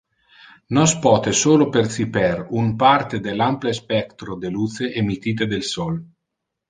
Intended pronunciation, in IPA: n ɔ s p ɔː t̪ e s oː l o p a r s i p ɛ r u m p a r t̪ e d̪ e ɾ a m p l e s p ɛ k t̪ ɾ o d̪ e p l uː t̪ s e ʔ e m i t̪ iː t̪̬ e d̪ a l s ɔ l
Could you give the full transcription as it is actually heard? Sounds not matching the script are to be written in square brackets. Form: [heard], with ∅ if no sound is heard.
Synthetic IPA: n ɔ s p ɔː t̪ e s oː l o p [e] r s i p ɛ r u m p a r t̪ e d̪ e [l] a m p l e s p ɛ k t̪ ɾ o d̪ e [∅] l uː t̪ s e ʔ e m i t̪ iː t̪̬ e d̪ [e] l s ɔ l

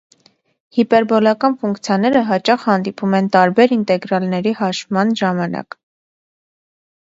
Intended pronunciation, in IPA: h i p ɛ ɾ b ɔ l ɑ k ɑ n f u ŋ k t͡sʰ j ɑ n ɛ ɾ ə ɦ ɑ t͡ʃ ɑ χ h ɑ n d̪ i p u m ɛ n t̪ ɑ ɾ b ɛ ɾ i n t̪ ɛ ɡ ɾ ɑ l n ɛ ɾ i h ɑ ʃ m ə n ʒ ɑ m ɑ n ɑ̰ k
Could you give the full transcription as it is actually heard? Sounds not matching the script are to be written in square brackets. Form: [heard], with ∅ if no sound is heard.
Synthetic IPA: h i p ɛ ɾ b ɔ l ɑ k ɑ n f u ŋ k t͡sʰ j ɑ n ɛ ɾ ə ɦ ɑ t͡ʃ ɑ χ h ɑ n d̪ i p u m ɛ n t̪ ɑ ɾ b ɛ ɾ i n t̪ ɛ ɡ ɾ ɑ l n ɛ ɾ i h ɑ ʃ m [ɑ] n ʒ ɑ m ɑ n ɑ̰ k

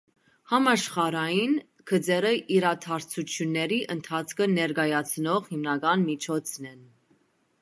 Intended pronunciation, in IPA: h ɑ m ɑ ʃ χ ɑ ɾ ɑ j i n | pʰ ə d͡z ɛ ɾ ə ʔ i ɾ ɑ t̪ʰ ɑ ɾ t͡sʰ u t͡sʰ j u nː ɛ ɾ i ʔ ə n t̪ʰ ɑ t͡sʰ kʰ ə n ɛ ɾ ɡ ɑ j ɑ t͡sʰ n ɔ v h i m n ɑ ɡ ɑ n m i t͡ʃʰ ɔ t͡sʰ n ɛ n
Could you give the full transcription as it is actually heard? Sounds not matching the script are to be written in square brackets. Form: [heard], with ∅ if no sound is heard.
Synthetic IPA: h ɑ m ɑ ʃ χ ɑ ɾ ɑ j i n | [kʰ] ə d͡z ɛ ɾ ə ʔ i ɾ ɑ t̪ʰ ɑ ɾ t͡sʰ u t͡sʰ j u nː ɛ ɾ i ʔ ə n t̪ʰ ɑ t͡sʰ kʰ ə n ɛ ɾ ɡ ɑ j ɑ t͡sʰ n ɔ [ʁ] h i m n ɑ ɡ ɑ n m i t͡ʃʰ ɔ t͡sʰ n ɛ n

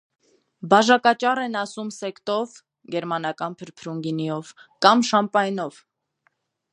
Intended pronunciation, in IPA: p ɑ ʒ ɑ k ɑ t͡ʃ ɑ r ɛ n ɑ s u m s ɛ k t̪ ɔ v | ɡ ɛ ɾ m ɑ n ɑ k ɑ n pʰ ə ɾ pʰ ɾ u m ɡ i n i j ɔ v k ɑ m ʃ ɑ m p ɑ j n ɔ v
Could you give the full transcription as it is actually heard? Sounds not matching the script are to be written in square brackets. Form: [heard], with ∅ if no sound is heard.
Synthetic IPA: [b] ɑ ʒ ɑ k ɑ t͡ʃ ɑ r ɛ n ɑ s u m s ɛ k t̪ ɔ v | ɡ ɛ ɾ m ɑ n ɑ k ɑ n pʰ ə ɾ pʰ ɾ u [ŋ] ɡ i n i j ɔ v k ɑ m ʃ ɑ m p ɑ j n ɔ v

